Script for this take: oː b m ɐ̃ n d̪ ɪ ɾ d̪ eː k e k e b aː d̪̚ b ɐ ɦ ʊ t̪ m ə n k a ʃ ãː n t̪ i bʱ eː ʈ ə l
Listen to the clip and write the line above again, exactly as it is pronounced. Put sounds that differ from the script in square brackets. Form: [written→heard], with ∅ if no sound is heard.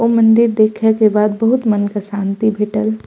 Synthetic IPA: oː [b→∅] m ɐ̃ n d̪ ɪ ɾ d̪ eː [k→kʰ] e k e b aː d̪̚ b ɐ ɦ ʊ t̪ m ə n k a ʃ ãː n t̪ i bʱ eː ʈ ə l